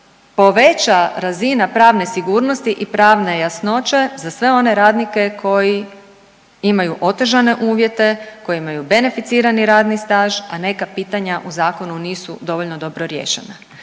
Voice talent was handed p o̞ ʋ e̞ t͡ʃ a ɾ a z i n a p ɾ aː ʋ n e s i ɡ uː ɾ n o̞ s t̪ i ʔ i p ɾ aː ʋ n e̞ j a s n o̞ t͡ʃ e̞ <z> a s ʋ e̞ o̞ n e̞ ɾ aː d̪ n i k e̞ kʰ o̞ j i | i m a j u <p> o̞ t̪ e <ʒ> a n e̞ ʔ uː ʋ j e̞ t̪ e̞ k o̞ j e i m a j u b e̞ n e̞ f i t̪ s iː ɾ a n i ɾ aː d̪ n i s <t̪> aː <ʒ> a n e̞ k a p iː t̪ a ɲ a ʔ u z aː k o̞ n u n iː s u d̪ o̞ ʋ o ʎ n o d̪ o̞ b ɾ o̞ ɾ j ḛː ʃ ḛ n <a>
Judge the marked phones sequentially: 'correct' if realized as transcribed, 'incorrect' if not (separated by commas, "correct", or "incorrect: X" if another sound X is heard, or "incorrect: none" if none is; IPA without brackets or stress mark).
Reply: correct, incorrect: ʔ, correct, correct, correct, correct